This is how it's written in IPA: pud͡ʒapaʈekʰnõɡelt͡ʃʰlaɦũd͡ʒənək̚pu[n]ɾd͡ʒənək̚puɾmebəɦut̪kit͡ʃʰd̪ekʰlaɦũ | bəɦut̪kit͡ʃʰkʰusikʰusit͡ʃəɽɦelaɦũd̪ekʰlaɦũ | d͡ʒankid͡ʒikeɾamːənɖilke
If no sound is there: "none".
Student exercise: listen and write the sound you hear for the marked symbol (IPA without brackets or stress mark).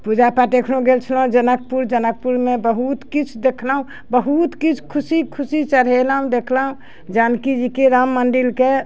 none